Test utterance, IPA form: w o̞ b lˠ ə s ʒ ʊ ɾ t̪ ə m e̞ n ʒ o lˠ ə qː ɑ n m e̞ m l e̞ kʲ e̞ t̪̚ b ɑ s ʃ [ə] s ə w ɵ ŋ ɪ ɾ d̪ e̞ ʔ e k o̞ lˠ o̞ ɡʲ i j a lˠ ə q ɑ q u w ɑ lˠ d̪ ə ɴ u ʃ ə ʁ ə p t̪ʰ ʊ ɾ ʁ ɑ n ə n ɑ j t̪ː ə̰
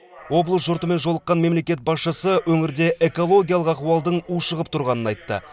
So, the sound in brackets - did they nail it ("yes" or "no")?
yes